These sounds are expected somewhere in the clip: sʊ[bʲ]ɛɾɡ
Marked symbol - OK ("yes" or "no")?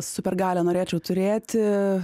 no